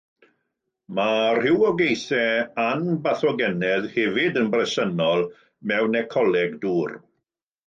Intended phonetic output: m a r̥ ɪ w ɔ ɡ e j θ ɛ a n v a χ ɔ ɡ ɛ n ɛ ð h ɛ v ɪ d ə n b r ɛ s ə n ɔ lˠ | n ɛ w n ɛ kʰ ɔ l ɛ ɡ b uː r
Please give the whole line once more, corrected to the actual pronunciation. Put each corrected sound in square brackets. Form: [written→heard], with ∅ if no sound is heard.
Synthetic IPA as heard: m a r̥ ɪ w ɔ ɡ e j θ ɛ a n [v→b] a [χ→θ] ɔ ɡ ɛ n ɛ ð h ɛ v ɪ d ə n b r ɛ s ə n ɔ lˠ | [n→m] ɛ w n ɛ kʰ ɔ l ɛ ɡ [b→d] uː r